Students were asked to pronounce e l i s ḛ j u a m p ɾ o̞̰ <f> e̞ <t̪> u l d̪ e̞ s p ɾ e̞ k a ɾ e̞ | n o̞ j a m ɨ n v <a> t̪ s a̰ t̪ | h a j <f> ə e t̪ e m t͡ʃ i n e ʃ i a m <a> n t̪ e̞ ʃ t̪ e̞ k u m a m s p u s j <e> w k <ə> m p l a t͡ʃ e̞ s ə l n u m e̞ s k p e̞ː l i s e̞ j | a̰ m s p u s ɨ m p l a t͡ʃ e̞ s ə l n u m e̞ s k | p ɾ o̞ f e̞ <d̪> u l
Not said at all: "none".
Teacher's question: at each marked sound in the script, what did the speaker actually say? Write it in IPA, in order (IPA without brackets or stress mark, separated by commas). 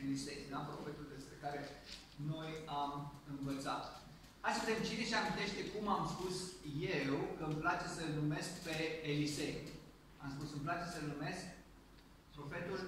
f, t̪, ə, s, i, e, ə, t̪